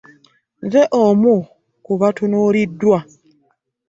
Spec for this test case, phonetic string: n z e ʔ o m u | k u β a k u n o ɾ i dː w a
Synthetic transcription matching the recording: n z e ʔ o m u | k u β a t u n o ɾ i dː w a

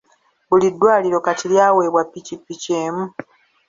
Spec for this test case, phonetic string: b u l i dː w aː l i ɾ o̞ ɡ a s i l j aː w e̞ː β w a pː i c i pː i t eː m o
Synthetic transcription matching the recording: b u l i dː w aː l i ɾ o̞ k a t i l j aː w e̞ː β w a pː i c i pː i c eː m u

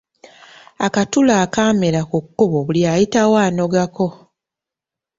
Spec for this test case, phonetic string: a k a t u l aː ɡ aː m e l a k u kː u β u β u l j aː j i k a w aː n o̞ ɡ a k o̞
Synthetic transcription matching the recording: a k a t u l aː k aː m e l a k u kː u β o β u l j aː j i t a w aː n o̞ ɡ a k o̞

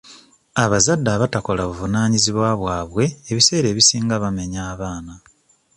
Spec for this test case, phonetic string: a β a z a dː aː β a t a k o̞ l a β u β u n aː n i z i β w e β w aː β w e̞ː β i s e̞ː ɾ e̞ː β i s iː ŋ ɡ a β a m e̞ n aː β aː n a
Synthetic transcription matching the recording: a β a z a dː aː β a t a k o̞ l a β u v u n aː ɲ i z i β w a β w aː β w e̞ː β i s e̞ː ɾ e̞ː β i s iː ŋ ɡ a β a m e̞ ɲ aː β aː n a

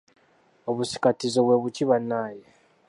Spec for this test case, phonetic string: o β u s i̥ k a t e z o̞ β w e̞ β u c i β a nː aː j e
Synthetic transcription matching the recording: o β u s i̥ k a t i z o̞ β w e̞ β u c i β a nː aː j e

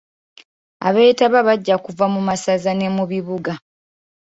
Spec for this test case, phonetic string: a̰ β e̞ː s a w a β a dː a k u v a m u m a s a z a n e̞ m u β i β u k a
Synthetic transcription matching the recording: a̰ β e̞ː t a β a β a ɟː a k u v a m u m a s a z a n e̞ m u β i β u ɡ a

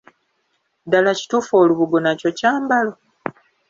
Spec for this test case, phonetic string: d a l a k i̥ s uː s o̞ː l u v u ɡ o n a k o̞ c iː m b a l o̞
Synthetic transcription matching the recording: d a l a c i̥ t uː f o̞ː l u β u ɡ o n a c o̞ c aː m b a l o̞

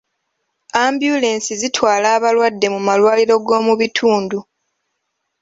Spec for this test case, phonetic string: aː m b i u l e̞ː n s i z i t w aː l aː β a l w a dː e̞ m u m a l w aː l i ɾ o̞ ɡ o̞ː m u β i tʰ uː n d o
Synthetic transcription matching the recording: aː m b j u l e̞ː n s i z i t w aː l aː β a l w a dː e̞ m u m a l w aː l i ɾ o̞ ɡ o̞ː m u β i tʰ uː n d u

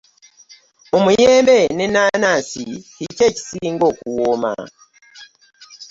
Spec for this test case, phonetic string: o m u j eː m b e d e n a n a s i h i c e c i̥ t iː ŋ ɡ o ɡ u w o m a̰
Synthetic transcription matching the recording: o m u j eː m b e n e n a n a s i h i c e c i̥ s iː ŋ ɡ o k u w o m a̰

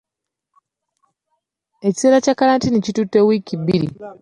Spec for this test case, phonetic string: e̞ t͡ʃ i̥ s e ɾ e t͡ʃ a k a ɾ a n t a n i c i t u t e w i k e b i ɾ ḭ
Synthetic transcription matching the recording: e̞ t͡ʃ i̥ s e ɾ a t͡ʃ a k a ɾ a n t i n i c i t u t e w i k i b i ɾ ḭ

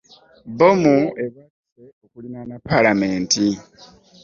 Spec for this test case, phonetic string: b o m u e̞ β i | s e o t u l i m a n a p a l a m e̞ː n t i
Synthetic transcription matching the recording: b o m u e̞ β a | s e o k u l i n a n a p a l a m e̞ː n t i

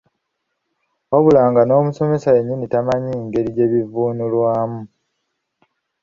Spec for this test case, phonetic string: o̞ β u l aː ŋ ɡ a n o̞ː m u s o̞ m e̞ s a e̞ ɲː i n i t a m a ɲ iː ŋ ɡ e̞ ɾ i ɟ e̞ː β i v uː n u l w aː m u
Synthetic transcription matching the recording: o̞ β u l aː ŋ ɡ a n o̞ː m u s o̞ m e̞ s a e̞ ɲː i n i t a m a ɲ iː ŋ ɡ e̞ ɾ i ɟ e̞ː β i v uː n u l w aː m u

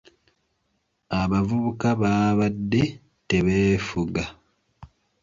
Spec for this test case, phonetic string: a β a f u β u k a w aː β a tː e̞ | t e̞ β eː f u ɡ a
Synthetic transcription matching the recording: a β a v u β u k a β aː β a dː e̞ | t e̞ β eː f u ɡ a

